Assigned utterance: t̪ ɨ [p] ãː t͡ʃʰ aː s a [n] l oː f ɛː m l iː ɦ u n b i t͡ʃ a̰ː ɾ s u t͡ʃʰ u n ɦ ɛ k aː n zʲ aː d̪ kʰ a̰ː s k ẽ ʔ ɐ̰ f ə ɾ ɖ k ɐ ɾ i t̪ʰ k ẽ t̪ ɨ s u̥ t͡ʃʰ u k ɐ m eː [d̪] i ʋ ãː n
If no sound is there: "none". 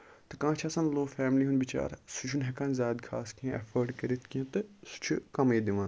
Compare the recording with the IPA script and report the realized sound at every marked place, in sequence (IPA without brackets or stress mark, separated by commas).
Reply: k, n, d̪